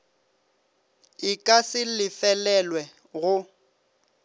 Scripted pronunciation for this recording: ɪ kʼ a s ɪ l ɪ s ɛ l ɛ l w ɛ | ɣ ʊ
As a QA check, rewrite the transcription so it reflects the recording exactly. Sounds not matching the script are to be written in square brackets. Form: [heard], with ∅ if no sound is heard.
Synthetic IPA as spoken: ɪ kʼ a s ɪ l ɪ [f] ɛ l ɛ l w ɛ | ɣ ʊ

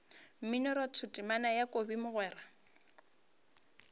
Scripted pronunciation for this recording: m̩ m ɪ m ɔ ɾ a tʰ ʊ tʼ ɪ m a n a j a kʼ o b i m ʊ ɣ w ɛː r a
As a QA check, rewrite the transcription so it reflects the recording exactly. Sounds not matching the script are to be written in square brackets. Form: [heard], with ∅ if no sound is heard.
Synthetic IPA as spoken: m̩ m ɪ [n] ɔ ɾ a tʰ ʊ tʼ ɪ m a n a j a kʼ o b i m ʊ ɣ w ɛː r a

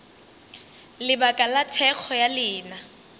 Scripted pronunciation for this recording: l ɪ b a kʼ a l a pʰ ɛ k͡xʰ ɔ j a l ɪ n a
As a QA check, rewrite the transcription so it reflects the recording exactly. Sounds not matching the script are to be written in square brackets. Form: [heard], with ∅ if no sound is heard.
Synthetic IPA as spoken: l ɪ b a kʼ a l a [tʰ] ɛ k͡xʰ ɔ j a l [ɪː] n a

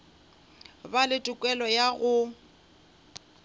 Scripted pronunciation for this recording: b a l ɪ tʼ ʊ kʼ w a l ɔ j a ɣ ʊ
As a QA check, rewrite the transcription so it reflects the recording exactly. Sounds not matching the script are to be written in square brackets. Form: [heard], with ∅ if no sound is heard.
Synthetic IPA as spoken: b a l ɪ tʼ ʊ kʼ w [ɛ] l ɔ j a ɣ ʊ

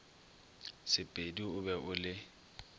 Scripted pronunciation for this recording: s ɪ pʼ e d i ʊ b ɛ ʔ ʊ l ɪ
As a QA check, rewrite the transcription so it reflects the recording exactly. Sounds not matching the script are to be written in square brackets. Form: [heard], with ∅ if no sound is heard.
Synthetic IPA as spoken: s ɪ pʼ e d i ʊ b ɛ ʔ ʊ l ɪ

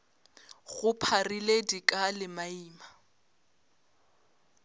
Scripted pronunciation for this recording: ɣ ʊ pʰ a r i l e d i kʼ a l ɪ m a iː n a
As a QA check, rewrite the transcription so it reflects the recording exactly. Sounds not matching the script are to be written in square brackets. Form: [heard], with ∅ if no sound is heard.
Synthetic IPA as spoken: ɣ ʊ pʰ a r i l e d i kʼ a l ɪ m a iː [m] a

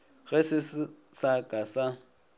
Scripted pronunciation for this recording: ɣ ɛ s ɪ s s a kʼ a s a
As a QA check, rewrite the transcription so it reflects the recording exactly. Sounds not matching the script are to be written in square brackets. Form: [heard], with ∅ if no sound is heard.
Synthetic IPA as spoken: ɣ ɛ s ɪ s s a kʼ a s a

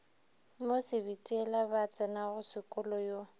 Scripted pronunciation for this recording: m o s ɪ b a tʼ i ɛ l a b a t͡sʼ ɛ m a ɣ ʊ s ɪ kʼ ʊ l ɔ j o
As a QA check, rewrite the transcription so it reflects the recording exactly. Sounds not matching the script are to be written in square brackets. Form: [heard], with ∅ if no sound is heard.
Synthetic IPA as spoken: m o s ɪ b [i] tʼ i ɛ l a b a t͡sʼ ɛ [n] a ɣ ʊ s ɪ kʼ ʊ l ɔ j o

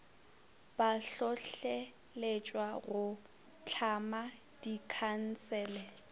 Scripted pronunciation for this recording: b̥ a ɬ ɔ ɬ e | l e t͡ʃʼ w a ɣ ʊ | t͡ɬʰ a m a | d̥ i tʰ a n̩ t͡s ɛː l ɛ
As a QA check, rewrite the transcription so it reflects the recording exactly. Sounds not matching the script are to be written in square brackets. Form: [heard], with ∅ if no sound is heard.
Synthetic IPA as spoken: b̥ a ɬ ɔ ɬ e | l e t͡ʃʼ w a ɣ ʊ | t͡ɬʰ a m a | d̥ i [kʰ] a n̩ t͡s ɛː l ɛ

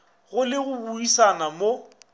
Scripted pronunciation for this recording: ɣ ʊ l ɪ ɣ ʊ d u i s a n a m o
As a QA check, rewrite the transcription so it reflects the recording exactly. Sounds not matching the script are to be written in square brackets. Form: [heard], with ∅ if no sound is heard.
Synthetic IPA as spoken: ɣ ʊ l ɪ ɣ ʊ [b] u i s a n a m o

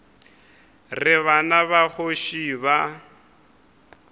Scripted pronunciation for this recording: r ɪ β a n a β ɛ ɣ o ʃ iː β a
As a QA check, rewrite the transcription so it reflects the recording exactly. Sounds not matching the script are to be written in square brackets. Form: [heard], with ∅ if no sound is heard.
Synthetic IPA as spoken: r ɪ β a n a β [a] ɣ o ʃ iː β a

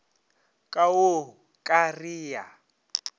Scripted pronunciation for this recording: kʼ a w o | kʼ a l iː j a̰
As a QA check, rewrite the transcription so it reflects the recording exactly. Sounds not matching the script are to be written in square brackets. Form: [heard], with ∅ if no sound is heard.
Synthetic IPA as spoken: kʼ a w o | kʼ a [r] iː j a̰

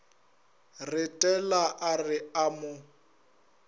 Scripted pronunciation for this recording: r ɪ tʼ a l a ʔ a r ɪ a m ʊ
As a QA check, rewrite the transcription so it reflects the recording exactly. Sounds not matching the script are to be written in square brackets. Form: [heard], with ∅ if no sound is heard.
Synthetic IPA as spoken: r ɪ tʼ [ɛ] l a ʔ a r ɪ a m ʊ

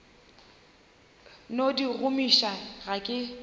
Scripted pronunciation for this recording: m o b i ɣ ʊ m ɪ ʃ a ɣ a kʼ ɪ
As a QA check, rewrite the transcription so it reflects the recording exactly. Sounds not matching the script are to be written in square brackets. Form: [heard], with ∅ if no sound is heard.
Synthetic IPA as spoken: [n] o [d] i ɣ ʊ m [i] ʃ a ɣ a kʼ ɪ

